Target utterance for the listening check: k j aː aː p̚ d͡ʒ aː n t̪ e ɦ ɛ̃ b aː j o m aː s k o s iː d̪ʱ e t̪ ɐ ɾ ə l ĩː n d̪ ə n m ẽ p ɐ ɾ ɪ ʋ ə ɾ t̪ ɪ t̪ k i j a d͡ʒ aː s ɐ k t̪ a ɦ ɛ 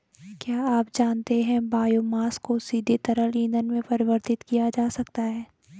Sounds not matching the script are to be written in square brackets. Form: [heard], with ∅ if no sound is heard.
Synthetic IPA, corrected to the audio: k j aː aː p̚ d͡ʒ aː n t̪ e ɦ ɛ̃ b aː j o m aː s k o s iː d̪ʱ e t̪ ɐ ɾ ə l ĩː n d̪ ə n m ẽ p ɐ ɾ ɪ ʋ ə ɾ t̪ ɪ t̪ k i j a d͡ʒ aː s ɐ k t̪ a ɦ [ɛː]